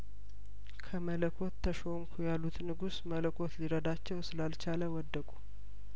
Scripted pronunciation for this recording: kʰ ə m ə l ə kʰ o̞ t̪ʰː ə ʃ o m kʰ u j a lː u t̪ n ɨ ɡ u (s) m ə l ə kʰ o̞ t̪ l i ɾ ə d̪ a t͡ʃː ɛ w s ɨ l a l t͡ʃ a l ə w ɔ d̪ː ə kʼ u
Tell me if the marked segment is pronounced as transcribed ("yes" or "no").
yes